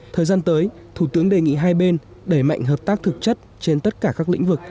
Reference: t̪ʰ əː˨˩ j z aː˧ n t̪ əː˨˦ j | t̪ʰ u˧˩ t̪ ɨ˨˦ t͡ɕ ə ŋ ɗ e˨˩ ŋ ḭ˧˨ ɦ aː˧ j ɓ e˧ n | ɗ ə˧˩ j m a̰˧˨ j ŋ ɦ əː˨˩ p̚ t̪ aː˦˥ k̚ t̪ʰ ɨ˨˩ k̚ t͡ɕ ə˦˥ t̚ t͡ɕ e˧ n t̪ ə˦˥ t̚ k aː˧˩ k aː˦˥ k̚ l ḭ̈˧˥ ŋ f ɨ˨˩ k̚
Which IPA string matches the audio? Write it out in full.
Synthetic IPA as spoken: t̪ʰ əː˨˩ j z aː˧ n t̪ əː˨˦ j | t̪ʰ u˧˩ t̪ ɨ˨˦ ə ŋ ɗ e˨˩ ŋ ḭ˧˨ ɦ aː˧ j ɓ e˧ n | ɗ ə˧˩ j m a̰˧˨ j ŋ ɦ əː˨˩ p̚ t̪ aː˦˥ k̚ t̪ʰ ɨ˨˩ k̚ t͡ɕ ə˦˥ t̚ t͡ɕ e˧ n t̪ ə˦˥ t̚ k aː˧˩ k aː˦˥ k̚ l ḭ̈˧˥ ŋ v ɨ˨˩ k̚